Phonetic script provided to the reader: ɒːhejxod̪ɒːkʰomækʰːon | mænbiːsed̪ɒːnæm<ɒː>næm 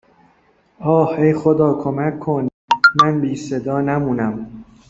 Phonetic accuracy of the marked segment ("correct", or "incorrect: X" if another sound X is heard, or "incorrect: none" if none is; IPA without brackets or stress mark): incorrect: uː